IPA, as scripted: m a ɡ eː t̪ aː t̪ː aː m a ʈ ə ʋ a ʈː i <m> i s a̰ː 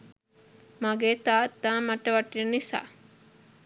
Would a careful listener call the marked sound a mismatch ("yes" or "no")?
yes